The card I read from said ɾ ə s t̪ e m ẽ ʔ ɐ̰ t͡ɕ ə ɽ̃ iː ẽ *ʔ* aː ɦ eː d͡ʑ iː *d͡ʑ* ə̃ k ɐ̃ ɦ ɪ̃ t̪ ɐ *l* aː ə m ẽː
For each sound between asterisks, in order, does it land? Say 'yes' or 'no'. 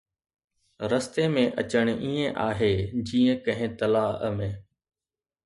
yes, no, yes

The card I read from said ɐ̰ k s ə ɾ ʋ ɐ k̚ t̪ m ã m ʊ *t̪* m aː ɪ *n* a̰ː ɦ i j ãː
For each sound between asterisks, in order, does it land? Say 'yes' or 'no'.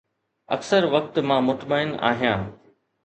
yes, yes

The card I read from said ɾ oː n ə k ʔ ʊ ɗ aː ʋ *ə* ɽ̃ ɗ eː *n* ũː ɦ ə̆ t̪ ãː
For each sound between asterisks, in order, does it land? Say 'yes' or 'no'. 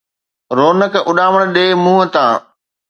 yes, no

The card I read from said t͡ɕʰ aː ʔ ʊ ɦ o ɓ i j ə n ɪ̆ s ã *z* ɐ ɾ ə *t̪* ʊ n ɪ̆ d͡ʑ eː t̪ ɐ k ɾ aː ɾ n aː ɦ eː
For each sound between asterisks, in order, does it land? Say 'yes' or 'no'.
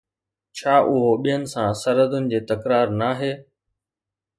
no, no

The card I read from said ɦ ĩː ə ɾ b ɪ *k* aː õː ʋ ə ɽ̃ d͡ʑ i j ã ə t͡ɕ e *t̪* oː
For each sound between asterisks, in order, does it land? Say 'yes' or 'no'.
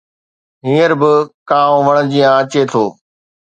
yes, no

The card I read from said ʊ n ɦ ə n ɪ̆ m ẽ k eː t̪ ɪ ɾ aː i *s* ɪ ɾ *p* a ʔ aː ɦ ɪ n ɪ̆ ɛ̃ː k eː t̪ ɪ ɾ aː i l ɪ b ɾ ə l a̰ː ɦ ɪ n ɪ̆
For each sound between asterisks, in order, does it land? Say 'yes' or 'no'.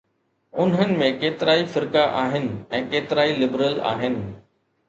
no, no

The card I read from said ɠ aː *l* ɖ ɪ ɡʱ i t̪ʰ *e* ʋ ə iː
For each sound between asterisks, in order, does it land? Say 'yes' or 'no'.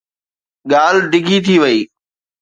yes, no

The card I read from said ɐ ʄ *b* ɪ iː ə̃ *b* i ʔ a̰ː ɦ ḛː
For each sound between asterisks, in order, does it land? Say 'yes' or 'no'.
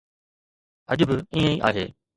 yes, no

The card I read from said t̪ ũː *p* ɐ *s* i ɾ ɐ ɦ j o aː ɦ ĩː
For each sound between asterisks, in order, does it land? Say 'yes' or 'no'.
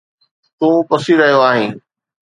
yes, yes

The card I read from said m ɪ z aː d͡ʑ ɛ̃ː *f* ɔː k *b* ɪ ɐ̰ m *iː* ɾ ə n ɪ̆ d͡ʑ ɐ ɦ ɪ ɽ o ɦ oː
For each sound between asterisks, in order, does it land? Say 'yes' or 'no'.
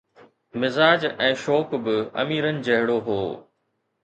no, yes, yes

